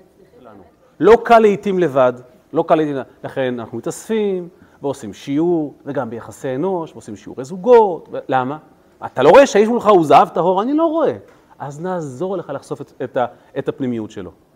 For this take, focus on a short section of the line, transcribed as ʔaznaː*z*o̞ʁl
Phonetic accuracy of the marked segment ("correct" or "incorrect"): correct